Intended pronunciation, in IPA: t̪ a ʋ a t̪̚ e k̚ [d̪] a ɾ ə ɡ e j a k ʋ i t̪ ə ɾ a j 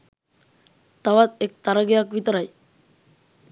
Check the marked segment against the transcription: incorrect: t̪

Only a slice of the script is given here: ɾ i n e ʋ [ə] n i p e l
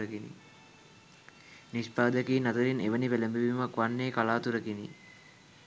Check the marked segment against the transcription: correct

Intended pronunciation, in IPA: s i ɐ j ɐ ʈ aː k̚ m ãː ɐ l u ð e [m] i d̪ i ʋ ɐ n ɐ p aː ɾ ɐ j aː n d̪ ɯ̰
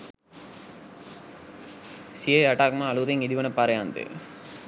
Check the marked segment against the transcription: incorrect: ŋ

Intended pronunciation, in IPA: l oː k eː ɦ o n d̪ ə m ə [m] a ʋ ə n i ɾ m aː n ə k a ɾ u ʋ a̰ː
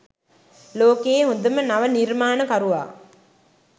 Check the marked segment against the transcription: incorrect: n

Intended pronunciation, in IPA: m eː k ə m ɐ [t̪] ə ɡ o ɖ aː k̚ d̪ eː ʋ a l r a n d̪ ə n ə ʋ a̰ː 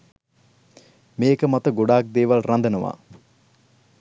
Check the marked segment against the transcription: correct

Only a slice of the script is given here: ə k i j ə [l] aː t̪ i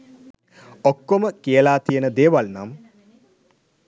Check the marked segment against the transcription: correct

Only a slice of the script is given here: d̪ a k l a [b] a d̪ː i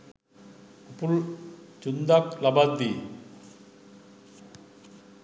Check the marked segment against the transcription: correct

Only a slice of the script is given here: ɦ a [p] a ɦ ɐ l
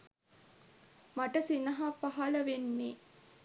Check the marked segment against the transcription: correct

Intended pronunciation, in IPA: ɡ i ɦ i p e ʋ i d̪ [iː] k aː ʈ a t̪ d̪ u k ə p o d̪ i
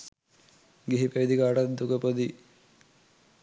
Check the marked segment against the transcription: incorrect: i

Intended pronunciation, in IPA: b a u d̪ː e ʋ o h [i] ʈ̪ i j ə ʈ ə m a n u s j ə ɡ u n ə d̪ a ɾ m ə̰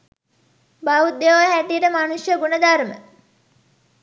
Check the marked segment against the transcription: incorrect: æ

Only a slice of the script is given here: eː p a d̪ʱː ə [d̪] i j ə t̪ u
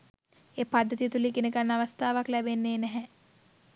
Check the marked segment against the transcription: incorrect: t̪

